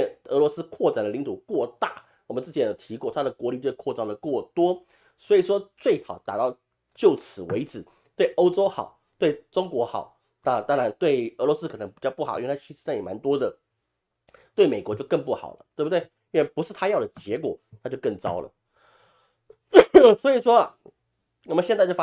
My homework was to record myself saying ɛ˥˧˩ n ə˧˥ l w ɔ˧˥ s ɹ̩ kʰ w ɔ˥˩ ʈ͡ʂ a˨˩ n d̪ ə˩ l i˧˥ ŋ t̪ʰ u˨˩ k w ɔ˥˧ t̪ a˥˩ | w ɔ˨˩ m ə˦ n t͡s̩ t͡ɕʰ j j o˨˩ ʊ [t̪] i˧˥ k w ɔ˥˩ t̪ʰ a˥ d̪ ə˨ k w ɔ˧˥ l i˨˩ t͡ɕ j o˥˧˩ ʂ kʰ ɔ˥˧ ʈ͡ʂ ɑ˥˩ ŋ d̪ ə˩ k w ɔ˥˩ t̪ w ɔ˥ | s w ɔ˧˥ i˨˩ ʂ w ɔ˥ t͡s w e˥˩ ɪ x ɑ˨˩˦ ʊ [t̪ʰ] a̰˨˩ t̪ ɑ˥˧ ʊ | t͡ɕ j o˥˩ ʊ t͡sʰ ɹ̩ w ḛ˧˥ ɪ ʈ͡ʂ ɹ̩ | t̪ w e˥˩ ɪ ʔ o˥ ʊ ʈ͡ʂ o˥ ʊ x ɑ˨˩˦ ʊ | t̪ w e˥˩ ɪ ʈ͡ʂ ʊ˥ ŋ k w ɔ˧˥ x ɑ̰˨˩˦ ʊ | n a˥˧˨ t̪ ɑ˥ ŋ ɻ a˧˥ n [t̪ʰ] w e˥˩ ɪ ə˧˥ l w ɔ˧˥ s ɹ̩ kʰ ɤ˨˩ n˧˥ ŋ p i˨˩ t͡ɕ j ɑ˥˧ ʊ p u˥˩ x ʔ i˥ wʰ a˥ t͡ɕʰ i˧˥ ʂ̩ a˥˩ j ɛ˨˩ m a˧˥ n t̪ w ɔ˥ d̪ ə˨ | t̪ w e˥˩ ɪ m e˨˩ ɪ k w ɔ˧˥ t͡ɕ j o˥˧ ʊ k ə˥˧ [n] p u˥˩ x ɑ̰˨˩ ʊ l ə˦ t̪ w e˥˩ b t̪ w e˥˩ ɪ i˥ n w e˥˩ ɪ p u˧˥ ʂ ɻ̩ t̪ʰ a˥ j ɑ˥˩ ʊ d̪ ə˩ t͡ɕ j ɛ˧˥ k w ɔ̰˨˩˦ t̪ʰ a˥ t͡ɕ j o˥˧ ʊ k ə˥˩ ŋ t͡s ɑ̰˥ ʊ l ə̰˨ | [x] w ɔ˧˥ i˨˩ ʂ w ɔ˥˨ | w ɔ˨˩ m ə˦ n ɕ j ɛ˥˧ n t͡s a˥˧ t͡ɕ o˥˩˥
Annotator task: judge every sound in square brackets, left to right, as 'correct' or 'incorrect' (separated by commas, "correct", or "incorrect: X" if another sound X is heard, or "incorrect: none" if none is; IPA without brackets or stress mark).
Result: incorrect: t̪ʰ, incorrect: t̪, incorrect: t̪, incorrect: ŋ, incorrect: s